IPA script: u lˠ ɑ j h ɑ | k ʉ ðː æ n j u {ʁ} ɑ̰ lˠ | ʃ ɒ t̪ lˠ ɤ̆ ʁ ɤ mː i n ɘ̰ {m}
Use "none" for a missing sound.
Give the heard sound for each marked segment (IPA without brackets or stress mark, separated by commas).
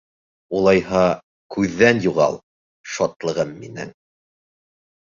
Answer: ʁ, ŋ